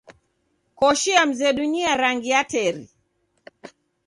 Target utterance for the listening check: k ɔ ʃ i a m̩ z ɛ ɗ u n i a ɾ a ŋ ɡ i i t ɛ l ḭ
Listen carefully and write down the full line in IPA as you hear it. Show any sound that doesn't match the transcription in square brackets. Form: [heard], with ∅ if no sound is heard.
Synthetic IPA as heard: k ɔ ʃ i a m̩ z ɛ ɗ u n i a ɾ a ŋ ɡ i [a] t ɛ [ɾ] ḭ